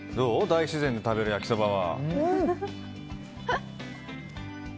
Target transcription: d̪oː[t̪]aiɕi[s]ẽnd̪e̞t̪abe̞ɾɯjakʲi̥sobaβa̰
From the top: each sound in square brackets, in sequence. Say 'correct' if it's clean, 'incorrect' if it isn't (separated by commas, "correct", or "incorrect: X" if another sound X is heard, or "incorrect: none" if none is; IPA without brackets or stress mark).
incorrect: d̪, incorrect: z